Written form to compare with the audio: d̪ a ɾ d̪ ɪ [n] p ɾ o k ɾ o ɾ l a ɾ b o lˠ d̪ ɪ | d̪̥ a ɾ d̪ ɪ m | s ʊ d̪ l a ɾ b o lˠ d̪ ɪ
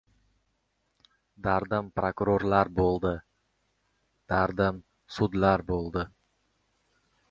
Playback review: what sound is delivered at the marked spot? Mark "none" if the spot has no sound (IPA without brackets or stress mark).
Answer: m